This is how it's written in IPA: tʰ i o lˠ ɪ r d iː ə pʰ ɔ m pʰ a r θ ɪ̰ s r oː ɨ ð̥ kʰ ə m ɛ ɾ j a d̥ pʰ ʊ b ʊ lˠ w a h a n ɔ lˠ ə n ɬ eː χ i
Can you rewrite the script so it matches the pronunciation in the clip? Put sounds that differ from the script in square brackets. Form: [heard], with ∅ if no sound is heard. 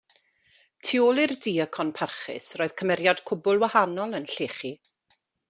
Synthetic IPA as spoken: tʰ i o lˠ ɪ r d iː ə [kʰ] ɔ [n] pʰ a r [χ] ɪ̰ s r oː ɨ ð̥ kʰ ə m ɛ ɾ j a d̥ [kʰ] ʊ b ʊ lˠ w a h a n ɔ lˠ ə n ɬ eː χ i